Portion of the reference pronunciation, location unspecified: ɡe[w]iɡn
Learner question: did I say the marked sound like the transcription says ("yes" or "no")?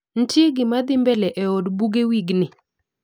yes